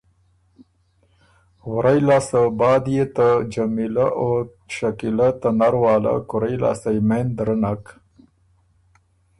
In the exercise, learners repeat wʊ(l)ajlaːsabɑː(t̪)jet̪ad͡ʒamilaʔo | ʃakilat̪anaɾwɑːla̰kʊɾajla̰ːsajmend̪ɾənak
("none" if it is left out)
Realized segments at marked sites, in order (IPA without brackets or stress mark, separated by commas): ɾ, d̪